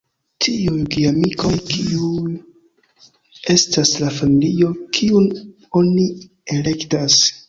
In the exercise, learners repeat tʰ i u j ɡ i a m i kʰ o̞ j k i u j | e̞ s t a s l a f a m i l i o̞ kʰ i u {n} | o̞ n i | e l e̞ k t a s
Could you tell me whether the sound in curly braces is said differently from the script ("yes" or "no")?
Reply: no